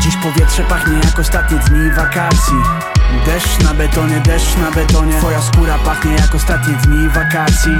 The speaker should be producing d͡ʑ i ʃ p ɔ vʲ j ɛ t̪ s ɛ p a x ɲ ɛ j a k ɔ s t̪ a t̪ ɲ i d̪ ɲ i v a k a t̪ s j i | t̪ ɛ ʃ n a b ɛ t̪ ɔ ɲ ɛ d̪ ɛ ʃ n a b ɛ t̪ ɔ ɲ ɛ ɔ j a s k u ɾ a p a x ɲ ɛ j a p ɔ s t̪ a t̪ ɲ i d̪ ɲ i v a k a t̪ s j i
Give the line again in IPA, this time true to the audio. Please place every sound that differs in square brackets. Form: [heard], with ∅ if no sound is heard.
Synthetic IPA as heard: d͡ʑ i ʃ p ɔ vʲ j ɛ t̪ [ʂ] ɛ p a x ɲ ɛ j a k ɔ s t̪ a t̪ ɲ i d̪ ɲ i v a k a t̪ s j i | [d̪] ɛ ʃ n a b ɛ t̪ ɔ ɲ ɛ d̪ ɛ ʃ n a b ɛ t̪ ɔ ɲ ɛ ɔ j a s k u ɾ a p a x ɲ ɛ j a [k] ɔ s t̪ a t̪ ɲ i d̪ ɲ i v a k a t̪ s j i